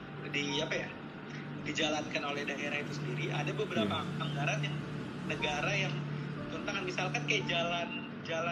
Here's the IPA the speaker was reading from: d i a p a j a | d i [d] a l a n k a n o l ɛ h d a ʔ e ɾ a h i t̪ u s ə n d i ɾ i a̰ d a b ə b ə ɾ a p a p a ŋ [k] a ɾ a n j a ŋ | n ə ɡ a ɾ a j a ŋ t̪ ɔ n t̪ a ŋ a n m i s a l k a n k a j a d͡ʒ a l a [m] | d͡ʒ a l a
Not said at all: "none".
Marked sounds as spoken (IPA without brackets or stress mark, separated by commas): d͡ʒ, ɡ, n